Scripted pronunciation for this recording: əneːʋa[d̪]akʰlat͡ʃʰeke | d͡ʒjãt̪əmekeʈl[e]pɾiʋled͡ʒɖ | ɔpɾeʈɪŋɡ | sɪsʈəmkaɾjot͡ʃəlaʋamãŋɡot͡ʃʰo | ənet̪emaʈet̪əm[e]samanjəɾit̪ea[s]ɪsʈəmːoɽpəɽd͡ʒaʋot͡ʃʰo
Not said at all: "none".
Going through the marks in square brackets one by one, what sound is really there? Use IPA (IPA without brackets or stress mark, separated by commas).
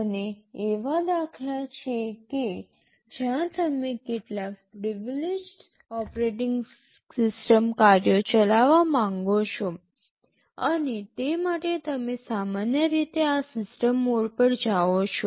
d̪, a, e, s